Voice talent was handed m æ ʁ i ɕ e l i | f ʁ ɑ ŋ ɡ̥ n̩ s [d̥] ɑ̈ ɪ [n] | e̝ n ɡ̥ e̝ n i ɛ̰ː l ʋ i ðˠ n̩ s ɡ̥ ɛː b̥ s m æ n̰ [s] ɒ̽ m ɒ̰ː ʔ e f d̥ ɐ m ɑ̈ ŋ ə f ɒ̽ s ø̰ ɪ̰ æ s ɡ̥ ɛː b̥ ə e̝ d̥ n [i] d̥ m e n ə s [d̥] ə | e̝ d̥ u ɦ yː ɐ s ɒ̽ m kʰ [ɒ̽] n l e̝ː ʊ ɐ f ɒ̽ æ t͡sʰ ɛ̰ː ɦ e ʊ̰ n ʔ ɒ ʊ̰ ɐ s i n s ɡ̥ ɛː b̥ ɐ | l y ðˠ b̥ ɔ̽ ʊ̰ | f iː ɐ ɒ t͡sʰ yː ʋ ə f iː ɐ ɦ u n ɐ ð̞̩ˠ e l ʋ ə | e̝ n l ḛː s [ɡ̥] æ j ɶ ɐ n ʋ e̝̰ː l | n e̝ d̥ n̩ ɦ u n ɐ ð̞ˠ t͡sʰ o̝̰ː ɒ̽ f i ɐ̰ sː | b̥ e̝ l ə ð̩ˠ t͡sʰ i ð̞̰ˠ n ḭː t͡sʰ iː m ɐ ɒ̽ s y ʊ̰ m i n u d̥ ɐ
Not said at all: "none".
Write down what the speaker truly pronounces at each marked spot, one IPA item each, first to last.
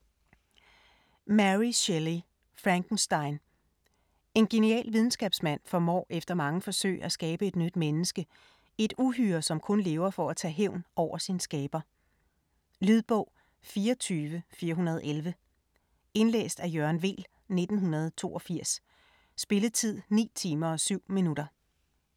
d̥, n, f, y, ɡ̥, ɔ̽, d̥

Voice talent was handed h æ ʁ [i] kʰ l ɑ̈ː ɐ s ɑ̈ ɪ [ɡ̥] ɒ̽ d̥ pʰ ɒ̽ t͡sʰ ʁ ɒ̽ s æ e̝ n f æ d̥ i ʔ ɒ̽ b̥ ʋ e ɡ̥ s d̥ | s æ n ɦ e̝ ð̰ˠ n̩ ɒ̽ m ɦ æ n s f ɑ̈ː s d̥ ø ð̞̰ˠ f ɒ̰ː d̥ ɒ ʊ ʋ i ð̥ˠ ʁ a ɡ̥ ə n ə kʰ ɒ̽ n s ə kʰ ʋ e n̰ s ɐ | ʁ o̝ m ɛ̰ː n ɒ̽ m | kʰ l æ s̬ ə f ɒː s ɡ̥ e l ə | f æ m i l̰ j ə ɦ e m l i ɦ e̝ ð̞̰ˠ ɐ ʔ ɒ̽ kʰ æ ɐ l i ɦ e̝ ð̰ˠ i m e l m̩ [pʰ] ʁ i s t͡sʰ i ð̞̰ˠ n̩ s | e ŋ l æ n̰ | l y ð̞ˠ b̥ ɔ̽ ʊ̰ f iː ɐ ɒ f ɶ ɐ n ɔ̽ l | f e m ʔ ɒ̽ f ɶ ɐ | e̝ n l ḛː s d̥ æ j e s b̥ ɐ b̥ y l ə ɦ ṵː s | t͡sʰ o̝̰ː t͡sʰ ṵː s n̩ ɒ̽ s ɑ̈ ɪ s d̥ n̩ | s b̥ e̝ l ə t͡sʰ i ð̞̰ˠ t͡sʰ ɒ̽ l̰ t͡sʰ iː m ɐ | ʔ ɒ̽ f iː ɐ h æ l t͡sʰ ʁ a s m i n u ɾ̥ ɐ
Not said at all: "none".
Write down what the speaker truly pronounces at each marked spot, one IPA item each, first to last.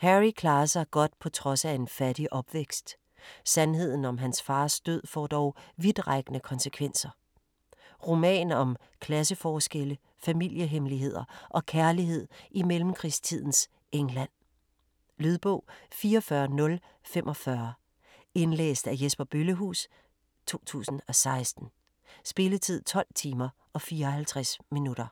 i, ɡ̥, kʰ

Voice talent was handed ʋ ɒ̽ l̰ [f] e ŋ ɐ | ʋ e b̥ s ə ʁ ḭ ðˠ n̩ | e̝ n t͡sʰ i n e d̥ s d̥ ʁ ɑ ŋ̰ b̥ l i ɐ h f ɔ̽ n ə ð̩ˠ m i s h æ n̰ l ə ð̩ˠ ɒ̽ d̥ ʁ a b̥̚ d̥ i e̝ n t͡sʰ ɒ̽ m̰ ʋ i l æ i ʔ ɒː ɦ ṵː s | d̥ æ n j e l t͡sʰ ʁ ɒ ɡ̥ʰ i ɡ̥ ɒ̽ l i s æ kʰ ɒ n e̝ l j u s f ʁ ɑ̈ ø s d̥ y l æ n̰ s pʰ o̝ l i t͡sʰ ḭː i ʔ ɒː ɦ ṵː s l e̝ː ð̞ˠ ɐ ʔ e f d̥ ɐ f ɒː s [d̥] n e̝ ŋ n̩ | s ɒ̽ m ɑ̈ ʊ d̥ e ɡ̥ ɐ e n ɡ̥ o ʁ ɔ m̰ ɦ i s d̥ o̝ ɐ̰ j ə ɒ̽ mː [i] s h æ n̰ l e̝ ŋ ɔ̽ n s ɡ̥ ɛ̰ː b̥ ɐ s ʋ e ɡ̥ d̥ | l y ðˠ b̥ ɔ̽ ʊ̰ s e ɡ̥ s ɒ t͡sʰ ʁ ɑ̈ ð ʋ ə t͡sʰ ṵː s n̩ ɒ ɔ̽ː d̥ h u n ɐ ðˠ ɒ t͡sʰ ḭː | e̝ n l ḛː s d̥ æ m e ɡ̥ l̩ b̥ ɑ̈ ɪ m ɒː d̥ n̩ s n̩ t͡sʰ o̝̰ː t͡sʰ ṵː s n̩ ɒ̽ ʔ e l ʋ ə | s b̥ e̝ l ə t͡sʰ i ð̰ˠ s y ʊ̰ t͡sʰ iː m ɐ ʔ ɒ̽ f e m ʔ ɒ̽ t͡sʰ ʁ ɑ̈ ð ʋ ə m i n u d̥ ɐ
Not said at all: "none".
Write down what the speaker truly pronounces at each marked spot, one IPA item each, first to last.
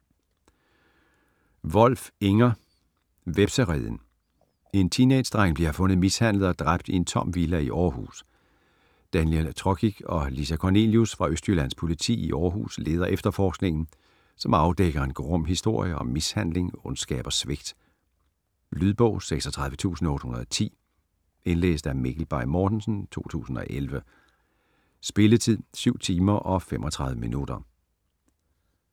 f, ɡ̥, i

